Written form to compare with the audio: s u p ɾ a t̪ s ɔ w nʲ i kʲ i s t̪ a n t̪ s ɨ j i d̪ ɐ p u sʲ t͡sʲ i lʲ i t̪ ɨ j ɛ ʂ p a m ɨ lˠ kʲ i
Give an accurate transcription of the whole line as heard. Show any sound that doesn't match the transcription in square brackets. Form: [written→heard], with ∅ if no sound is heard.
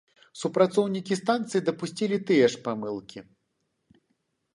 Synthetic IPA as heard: s u p ɾ a t̪ s ɔ w nʲ i kʲ i s t̪ a n t̪ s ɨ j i d̪ ɐ p u sʲ t͡sʲ i lʲ i t̪ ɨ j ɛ ʂ p a m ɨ lˠ kʲ i